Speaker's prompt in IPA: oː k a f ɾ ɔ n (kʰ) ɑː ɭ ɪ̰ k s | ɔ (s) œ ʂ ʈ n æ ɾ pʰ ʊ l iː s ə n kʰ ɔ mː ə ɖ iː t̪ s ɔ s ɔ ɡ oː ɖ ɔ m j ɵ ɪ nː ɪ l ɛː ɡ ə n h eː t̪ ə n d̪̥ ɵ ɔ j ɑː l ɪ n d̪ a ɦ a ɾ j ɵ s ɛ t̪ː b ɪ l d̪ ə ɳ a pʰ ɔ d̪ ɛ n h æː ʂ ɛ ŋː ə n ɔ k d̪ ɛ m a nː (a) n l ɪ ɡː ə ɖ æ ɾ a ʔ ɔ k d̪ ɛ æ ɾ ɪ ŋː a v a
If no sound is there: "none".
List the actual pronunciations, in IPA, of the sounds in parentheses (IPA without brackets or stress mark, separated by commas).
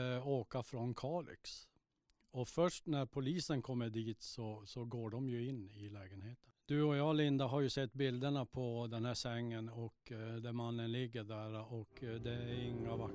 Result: kʰ, f, ə